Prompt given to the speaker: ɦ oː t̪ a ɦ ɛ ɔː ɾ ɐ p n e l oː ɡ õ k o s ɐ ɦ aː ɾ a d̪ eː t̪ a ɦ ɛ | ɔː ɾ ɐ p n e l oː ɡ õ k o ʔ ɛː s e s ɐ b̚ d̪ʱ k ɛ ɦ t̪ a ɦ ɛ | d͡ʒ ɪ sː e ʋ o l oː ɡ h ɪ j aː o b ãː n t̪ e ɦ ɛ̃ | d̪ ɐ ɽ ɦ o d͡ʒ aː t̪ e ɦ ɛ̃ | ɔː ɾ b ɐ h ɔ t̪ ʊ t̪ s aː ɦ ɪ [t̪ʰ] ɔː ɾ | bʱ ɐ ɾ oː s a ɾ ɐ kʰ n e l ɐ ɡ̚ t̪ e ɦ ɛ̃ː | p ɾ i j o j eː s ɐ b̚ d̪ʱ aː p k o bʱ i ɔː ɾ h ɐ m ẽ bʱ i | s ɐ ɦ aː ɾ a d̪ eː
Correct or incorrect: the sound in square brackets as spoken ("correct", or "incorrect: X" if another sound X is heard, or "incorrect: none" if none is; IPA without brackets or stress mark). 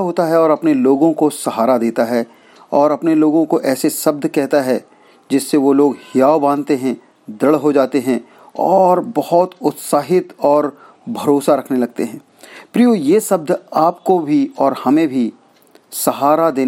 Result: incorrect: t̪